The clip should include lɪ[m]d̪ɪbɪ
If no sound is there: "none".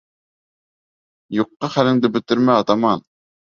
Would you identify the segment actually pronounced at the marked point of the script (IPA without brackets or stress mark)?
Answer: ŋ